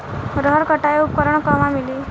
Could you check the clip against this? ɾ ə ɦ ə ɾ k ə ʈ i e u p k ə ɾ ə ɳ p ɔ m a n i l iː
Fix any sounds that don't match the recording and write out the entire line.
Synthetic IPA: ɾ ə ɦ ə ɾ k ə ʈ a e u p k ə ɾ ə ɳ k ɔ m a m i l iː